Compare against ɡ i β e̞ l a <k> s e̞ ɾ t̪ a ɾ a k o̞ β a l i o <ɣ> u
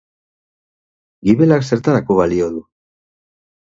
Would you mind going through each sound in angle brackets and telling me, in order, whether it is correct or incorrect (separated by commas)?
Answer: correct, incorrect